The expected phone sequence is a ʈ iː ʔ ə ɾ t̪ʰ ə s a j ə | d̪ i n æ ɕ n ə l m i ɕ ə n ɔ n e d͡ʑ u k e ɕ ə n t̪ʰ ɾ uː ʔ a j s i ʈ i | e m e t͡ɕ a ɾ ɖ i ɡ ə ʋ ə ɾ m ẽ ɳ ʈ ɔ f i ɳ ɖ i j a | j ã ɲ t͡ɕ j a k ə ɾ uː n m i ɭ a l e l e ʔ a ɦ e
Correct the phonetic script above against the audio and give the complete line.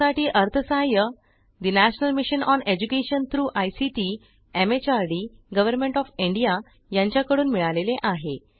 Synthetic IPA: a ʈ iː ʔ ə ɾ t̪ʰ ə s a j ə | d̪ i n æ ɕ n ə l m i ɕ ə n ɔ n e d͡ʑ u k e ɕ ə n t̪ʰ ɾ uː ʔ a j s i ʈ i | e m e t͡ɕ a ɾ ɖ i ɡ ə ʋ ə ɾ m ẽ ɳ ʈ ɔ f i ɳ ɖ i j a | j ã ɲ t͡ɕ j a k ə ɽ uː n m i ɭ a l e l e ʔ a ɦ e